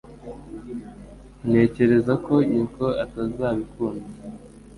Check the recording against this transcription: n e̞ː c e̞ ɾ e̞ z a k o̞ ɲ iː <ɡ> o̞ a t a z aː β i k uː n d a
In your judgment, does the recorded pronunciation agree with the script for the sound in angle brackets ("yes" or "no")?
no